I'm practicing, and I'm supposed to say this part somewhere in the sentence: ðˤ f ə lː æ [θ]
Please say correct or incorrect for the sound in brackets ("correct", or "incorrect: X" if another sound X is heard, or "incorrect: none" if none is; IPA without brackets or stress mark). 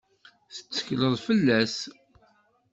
incorrect: s